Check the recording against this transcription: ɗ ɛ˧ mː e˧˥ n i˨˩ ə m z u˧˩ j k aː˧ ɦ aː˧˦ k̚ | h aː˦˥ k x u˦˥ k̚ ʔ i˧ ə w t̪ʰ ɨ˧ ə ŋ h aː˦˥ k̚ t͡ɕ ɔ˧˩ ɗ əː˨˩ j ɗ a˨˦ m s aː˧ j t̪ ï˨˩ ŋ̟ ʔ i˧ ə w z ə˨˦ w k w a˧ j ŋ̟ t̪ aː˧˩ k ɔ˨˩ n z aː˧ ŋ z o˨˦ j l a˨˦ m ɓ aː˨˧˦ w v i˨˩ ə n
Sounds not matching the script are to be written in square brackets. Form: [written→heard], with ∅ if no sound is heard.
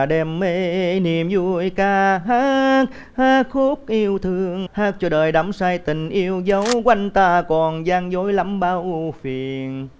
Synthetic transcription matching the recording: ɗ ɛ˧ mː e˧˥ n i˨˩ ə m z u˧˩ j k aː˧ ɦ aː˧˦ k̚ | h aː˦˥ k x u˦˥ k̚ ʔ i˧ ə w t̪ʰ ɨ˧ ə ŋ h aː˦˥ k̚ t͡ɕ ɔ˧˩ ɗ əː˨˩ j ɗ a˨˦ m s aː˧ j t̪ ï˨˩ ŋ̟ ʔ i˧ ə w z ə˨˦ w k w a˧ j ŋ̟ t̪ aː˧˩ k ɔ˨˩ n z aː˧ ŋ z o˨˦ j l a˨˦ m ɓ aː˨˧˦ w [v→f] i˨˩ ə n